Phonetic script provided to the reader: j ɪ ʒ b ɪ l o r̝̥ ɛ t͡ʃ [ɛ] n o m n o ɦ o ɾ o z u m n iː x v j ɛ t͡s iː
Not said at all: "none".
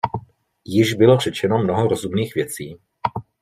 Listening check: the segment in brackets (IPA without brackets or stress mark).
ɛ